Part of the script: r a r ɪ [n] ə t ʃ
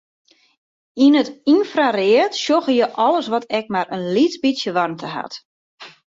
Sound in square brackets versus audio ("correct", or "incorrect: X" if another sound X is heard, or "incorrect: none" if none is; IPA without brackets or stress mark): incorrect: none